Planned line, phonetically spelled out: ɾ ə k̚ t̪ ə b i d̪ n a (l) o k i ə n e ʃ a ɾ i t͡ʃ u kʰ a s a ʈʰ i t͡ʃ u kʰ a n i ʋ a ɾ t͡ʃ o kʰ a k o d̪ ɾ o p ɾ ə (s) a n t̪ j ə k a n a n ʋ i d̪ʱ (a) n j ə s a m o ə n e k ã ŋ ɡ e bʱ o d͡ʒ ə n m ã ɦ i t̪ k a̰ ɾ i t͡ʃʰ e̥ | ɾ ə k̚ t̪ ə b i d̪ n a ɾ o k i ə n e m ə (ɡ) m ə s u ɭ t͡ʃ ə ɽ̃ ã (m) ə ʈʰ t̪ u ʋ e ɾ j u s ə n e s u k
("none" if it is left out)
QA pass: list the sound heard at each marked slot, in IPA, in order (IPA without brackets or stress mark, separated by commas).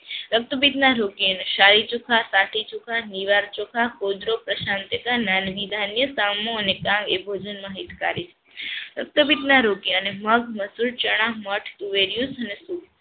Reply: ɾ, ʃ, a, ɡ, m